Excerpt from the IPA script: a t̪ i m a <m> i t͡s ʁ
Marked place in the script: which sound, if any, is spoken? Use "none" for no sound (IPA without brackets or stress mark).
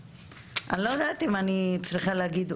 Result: n